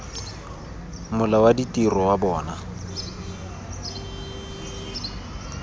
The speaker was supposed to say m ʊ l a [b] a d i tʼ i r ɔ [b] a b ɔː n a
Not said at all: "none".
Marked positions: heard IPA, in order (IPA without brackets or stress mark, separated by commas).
w, w